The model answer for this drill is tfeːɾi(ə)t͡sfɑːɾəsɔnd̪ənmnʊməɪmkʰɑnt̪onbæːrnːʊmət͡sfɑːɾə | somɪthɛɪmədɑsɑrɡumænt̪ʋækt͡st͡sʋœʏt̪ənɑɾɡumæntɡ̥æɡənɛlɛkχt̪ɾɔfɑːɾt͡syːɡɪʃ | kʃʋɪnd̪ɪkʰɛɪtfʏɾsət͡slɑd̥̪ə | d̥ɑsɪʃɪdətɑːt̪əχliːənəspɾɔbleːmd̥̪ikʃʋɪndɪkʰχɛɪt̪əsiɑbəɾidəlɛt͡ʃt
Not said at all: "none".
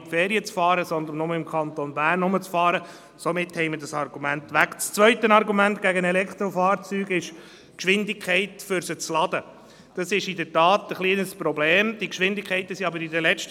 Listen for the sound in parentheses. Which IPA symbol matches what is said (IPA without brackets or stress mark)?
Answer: ə